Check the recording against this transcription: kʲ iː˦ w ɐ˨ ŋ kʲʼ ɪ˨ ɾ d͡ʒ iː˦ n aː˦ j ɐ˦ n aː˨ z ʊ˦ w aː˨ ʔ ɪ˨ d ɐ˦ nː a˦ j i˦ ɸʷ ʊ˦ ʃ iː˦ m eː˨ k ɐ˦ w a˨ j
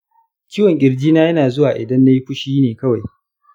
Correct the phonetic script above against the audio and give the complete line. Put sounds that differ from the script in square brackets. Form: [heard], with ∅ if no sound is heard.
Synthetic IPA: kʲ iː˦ w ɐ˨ ŋ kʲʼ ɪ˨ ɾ d͡ʒ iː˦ n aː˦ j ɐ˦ n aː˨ z ʊ˦ w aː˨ ʔ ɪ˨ d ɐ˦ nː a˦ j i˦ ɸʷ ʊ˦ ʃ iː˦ [n] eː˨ k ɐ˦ w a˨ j